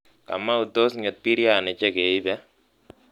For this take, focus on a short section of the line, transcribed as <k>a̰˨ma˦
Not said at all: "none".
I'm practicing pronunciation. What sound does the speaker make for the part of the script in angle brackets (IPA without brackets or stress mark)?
k